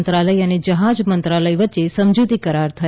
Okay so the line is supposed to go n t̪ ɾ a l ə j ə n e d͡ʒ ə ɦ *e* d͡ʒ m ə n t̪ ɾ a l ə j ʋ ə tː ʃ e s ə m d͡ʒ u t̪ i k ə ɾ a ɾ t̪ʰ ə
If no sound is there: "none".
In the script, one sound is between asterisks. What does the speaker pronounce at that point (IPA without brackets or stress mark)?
a